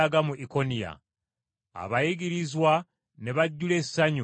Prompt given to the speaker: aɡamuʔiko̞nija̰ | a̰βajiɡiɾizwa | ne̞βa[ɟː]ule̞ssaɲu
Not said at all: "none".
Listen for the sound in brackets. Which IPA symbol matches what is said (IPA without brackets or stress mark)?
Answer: ɟː